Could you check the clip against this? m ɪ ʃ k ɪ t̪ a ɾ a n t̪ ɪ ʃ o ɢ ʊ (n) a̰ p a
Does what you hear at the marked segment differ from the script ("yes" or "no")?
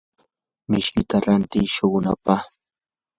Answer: no